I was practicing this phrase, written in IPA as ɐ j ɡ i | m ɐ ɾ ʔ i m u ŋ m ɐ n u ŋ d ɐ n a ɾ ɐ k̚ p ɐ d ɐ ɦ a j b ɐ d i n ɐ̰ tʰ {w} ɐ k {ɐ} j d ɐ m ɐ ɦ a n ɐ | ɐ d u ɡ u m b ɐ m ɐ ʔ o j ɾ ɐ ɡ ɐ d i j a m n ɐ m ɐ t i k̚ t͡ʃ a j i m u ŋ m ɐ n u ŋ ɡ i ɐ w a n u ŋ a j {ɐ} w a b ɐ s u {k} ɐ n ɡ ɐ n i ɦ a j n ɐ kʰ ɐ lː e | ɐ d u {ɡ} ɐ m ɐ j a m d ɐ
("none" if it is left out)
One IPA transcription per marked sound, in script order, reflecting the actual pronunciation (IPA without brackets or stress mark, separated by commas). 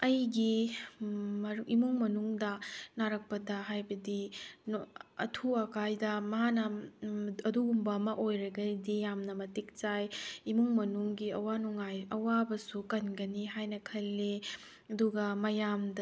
u, a, ɐ, k, ɡ